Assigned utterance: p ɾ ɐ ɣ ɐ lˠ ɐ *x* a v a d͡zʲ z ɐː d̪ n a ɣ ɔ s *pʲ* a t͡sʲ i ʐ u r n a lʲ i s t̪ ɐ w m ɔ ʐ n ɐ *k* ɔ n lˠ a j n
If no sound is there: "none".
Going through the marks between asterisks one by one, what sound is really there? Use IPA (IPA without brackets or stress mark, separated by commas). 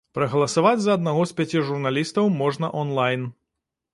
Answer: s, pʲ, ʔ